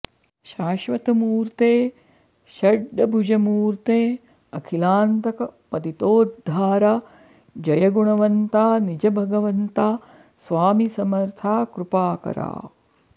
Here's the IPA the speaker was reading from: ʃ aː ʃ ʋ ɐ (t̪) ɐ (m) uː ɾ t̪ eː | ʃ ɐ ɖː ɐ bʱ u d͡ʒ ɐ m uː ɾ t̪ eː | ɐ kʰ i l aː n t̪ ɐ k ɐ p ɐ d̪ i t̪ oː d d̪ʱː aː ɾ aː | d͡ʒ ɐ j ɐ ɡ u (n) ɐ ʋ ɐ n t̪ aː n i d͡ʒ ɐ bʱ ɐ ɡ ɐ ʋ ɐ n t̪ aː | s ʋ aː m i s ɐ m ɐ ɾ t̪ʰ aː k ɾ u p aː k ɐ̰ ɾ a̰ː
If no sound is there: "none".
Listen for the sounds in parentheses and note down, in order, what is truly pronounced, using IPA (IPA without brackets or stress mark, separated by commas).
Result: t̪, m, ɳ